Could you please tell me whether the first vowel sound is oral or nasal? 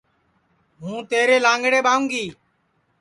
nasal